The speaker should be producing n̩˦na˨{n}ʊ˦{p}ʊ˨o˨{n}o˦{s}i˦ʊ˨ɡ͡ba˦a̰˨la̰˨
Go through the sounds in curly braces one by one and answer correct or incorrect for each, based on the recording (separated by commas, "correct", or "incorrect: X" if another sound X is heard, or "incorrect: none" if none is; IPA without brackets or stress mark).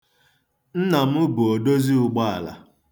incorrect: m, incorrect: b, incorrect: d, incorrect: z